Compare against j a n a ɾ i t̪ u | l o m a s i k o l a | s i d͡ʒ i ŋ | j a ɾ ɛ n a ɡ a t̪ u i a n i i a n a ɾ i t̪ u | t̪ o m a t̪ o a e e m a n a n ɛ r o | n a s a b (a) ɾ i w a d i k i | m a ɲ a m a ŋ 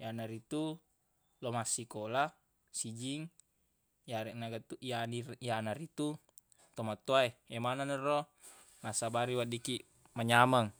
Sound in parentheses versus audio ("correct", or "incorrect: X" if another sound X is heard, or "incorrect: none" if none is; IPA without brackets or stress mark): correct